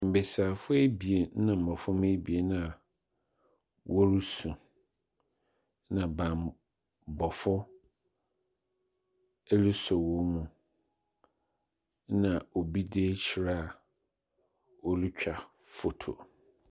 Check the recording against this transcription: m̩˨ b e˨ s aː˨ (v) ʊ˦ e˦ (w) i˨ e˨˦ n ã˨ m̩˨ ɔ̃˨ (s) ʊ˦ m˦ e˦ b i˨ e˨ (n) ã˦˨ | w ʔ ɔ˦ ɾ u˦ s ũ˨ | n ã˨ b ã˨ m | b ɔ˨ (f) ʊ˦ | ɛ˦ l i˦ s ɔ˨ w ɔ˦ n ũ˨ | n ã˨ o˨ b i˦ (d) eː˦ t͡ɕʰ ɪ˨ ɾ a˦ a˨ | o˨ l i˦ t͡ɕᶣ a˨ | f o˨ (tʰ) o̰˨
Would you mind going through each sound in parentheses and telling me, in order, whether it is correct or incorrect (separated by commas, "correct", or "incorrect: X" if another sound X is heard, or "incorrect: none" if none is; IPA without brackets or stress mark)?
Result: incorrect: f, incorrect: b, incorrect: f, correct, correct, correct, correct